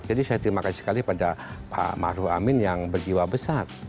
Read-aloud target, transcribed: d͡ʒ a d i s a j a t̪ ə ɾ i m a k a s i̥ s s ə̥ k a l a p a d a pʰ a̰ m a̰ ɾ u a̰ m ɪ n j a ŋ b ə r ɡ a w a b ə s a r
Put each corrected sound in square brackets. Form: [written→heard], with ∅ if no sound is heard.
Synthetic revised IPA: d͡ʒ a d i s a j a t̪ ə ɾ i m a k a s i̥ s s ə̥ k a l [a→i] p a d a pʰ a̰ m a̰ ɾ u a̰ m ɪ n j a ŋ b ə r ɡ [a→i] w a b ə s a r